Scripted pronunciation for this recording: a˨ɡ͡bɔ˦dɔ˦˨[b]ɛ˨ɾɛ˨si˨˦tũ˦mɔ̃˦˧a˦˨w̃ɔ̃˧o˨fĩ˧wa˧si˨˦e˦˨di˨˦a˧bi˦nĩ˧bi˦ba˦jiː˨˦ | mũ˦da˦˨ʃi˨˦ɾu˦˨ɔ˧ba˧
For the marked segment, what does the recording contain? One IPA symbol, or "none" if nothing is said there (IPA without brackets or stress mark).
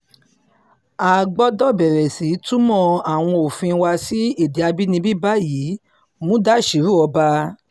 b